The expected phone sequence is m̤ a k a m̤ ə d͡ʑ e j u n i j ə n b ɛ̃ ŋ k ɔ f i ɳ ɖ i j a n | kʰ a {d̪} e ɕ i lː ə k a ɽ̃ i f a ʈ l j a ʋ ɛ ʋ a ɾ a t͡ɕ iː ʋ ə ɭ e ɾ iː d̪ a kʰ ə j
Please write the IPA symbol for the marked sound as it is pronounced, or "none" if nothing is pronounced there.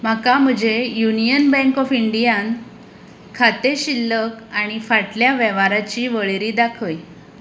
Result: t̪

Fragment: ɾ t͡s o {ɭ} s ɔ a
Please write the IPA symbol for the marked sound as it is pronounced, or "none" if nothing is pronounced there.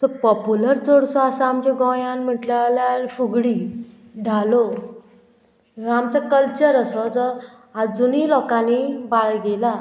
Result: ɽ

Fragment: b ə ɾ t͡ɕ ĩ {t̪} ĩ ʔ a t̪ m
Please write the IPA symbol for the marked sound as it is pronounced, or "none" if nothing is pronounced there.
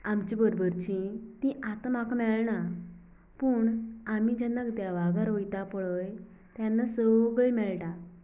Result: t̪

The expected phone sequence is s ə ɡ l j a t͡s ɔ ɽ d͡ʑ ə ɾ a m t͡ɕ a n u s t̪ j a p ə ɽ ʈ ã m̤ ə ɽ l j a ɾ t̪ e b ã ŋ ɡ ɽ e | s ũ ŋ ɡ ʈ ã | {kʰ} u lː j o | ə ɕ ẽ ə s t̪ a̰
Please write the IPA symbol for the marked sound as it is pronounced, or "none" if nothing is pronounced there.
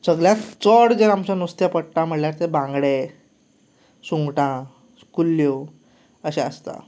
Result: k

